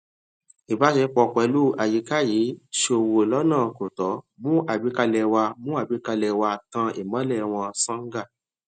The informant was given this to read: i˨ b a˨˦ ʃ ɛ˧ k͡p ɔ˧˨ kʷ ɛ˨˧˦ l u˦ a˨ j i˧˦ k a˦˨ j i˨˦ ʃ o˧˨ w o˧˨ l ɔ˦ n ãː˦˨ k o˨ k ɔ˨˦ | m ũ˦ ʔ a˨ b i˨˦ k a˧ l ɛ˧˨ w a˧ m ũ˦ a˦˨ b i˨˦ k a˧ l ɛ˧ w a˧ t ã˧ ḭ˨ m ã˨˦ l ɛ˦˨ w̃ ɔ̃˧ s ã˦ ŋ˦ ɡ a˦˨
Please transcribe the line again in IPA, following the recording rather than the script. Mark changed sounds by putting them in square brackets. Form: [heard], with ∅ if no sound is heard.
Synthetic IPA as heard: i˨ b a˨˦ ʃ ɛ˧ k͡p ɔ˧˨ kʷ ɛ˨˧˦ l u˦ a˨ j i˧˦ k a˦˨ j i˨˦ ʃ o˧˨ w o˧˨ l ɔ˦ n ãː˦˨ k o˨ [t] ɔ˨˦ | m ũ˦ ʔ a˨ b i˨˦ k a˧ l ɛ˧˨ w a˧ m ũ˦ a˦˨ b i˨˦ k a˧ l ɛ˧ w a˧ t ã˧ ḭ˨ m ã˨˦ l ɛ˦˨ w̃ ɔ̃˧ s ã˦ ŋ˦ ɡ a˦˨

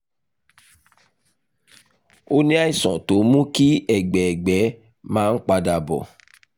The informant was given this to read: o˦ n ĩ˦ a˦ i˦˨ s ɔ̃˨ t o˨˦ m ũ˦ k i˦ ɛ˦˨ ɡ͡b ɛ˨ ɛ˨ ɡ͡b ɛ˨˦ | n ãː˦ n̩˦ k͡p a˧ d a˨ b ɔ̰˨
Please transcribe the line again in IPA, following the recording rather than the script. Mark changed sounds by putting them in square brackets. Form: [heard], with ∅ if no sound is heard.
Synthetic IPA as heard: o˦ n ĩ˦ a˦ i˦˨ s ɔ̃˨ t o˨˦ m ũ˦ k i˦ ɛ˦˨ ɡ͡b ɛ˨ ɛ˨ ɡ͡b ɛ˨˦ | [m] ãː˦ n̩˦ k͡p a˧ d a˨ b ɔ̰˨

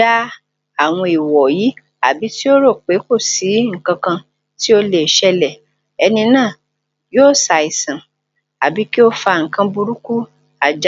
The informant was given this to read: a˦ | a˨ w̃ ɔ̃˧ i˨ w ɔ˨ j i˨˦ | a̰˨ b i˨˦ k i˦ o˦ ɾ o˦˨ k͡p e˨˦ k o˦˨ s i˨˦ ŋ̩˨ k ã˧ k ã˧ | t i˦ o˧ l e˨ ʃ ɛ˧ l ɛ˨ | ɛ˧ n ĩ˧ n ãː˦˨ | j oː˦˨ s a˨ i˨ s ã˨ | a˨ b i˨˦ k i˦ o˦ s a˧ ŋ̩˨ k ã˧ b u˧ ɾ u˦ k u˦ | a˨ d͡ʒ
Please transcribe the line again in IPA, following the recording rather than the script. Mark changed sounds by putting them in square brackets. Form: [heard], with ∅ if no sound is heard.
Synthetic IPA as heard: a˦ | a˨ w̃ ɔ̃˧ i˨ w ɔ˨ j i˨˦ | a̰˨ b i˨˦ [t] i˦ o˦ ɾ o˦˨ k͡p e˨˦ k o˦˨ s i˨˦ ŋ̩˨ k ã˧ k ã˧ | t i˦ o˧ l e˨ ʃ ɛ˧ l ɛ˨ | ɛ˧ n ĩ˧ n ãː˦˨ | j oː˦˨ s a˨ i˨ s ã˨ | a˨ b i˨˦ k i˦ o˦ [f] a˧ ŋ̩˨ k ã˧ b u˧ ɾ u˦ k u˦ | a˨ d͡ʒ

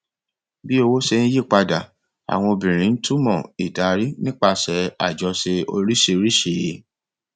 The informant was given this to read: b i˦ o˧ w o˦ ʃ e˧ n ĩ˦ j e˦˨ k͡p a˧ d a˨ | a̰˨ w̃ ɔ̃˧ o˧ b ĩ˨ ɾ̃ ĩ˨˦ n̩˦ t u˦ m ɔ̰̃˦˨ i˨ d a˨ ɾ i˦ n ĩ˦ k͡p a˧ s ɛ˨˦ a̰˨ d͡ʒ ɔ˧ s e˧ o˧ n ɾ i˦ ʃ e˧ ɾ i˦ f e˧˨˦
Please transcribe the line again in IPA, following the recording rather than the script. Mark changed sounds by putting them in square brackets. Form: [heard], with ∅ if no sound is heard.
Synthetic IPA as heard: b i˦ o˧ w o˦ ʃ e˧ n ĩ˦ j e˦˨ k͡p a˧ d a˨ | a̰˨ w̃ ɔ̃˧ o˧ b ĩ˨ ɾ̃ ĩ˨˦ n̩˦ t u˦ m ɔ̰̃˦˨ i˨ d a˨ ɾ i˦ n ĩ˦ k͡p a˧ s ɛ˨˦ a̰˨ d͡ʒ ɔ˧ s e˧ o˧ [∅] ɾ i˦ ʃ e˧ ɾ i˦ [ʃ] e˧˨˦

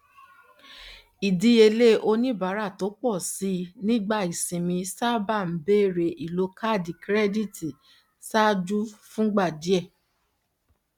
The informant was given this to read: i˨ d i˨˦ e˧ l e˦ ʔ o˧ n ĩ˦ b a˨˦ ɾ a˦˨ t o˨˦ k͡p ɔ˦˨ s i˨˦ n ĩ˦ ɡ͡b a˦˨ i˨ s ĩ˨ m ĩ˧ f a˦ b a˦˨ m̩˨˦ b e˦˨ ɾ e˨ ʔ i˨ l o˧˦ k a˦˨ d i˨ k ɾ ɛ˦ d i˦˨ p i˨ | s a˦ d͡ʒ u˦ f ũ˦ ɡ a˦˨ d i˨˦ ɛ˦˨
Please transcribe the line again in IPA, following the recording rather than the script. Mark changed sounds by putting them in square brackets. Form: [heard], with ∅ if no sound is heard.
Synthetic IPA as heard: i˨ d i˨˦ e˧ l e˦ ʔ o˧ n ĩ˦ b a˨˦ ɾ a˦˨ t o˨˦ k͡p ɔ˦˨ s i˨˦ n ĩ˦ ɡ͡b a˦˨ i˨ s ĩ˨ m ĩ˧ [s] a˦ b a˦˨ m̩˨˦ b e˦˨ ɾ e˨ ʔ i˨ l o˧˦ k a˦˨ d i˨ k ɾ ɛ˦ d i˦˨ [t] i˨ | s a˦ d͡ʒ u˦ f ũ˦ [ɡ͡b] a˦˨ d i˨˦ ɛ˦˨

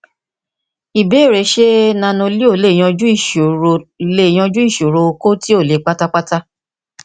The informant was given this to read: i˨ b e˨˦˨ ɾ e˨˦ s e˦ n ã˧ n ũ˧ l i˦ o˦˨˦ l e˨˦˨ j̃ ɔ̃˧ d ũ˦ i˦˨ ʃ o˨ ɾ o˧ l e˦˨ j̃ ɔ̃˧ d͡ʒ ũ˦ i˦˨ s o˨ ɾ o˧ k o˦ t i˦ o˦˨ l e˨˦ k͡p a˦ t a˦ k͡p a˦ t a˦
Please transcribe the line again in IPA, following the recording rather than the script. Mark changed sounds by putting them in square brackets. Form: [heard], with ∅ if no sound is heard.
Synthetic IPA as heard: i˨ b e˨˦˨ ɾ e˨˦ [ʃ] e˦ n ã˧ n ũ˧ l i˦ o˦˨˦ l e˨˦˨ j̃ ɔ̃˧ [d͡ʒ] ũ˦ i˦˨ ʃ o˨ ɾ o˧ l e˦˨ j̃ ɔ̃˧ d͡ʒ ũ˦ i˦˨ [ʃ] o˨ ɾ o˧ k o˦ t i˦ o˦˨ l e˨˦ k͡p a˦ t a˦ k͡p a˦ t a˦

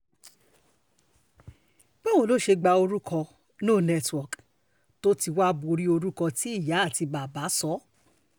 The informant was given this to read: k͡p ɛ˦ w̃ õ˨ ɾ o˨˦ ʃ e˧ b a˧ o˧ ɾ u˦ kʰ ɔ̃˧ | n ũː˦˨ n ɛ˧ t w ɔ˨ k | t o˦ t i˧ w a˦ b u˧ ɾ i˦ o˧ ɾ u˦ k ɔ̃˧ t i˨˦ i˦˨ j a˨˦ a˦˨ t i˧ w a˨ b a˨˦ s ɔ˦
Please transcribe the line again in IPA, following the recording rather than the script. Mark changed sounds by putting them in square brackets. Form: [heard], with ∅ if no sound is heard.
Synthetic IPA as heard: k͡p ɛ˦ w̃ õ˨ [l] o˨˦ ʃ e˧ [ɡ͡b] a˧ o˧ ɾ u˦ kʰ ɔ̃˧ | n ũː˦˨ n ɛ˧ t w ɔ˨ k | t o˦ t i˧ w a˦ b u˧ ɾ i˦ o˧ ɾ u˦ k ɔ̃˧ t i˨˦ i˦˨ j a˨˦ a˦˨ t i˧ [b] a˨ b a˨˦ s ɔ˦

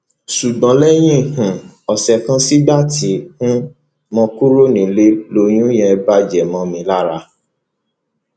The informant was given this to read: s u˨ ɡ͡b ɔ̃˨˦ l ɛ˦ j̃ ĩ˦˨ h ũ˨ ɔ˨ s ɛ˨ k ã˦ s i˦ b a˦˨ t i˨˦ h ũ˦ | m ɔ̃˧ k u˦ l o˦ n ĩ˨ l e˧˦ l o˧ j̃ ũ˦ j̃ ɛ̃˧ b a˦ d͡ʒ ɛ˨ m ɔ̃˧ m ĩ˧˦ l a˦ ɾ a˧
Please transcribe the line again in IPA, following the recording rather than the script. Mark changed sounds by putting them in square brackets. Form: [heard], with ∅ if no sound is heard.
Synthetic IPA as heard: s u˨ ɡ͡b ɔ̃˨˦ l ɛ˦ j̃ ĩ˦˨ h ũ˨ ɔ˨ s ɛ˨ k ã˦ s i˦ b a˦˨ t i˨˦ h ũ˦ | m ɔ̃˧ k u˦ [ɾ] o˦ n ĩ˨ l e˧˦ l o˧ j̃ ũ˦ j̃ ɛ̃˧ b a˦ d͡ʒ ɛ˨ m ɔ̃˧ m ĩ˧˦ l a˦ ɾ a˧

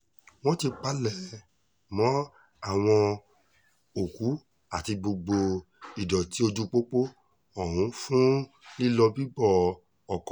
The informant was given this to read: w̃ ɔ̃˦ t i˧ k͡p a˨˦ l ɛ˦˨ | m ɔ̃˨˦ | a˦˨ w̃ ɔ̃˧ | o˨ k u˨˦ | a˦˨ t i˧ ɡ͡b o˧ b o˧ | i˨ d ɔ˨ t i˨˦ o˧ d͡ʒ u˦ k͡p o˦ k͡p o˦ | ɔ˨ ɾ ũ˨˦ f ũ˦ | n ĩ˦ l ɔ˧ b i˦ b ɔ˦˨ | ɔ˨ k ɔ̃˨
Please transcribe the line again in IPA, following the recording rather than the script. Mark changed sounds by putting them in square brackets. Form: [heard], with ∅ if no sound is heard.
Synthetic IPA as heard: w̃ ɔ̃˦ t i˧ k͡p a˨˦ l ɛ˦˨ | m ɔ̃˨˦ | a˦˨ w̃ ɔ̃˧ | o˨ k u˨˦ | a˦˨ t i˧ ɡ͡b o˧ [ɡ͡b] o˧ | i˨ d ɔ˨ t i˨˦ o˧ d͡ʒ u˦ k͡p o˦ k͡p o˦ | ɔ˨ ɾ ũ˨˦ f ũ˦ | n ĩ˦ l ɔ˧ b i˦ b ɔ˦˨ | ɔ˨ k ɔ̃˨

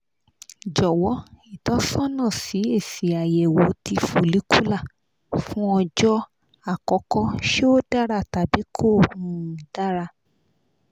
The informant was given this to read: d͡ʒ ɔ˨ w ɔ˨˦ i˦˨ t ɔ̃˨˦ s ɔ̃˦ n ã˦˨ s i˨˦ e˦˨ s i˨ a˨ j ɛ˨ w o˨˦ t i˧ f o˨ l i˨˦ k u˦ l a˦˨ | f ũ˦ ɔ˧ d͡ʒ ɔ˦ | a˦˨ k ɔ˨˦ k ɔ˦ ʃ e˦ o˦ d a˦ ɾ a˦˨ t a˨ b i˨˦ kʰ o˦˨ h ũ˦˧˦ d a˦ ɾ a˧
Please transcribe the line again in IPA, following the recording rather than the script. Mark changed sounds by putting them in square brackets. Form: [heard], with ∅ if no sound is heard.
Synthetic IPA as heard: d͡ʒ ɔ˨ w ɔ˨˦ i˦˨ t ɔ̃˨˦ s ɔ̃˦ n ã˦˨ s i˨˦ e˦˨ s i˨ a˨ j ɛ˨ w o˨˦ t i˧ f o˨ l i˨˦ k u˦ l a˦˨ | f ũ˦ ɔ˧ d͡ʒ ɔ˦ | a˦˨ k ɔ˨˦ k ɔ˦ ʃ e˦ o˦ d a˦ ɾ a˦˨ t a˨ b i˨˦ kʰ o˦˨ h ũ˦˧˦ d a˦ ɾ a˧

